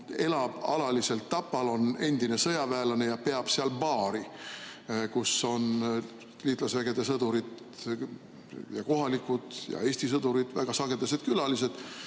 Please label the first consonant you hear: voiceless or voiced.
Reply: voiced